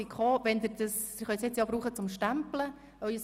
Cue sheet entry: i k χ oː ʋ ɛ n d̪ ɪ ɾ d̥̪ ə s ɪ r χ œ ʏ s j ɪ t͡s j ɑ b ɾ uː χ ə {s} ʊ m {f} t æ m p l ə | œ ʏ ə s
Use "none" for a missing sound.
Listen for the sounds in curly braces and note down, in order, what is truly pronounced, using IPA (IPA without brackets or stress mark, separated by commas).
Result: t͡s, ʃ